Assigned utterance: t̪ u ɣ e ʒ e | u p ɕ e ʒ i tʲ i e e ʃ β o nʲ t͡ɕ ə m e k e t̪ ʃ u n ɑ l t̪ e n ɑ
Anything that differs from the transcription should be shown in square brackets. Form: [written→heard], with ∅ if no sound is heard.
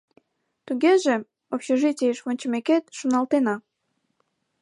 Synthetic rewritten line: t̪ u ɣ e ʒ e | [u→o] p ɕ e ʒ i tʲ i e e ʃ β o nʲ t͡ɕ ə m e k e t̪ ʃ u n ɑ l t̪ e n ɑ